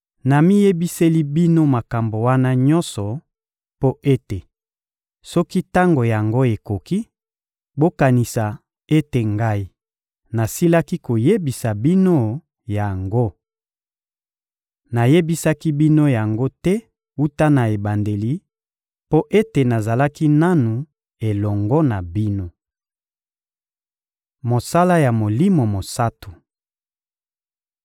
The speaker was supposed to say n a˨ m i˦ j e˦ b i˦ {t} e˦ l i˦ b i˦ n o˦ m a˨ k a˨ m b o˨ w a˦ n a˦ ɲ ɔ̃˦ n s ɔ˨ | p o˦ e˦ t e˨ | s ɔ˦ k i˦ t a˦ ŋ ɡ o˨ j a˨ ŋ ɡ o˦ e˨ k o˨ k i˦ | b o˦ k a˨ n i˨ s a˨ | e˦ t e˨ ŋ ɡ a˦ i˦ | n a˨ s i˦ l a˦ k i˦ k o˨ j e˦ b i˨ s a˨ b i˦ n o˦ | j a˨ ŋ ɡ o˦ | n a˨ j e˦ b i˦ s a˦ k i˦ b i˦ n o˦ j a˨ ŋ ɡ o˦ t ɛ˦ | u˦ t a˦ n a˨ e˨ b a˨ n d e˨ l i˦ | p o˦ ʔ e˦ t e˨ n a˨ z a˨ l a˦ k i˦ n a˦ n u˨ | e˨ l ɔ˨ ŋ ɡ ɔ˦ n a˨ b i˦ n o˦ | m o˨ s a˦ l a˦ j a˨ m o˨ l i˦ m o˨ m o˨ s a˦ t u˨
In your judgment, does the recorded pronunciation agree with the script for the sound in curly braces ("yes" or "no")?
no